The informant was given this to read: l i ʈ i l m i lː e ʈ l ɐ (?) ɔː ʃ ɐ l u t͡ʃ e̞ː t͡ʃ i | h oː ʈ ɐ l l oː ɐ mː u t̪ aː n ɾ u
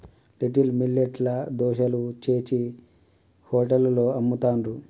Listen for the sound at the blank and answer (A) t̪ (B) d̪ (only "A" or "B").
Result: B